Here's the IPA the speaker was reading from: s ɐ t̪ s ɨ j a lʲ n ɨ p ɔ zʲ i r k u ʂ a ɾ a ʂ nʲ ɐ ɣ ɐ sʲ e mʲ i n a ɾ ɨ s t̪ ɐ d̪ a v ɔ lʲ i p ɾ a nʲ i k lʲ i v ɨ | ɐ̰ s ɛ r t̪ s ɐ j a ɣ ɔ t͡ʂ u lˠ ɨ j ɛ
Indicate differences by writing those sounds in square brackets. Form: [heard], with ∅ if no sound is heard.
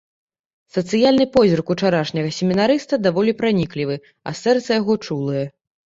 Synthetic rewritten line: s ɐ t̪ s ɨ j a lʲ n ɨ p ɔ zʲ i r k u [t͡ʂ] a ɾ a ʂ nʲ ɐ ɣ ɐ sʲ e mʲ i n a ɾ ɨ s t̪ ɐ d̪ a v ɔ lʲ i p ɾ a nʲ i k lʲ i v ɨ | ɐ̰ s ɛ r t̪ s ɐ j a ɣ ɔ t͡ʂ u lˠ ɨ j ɛ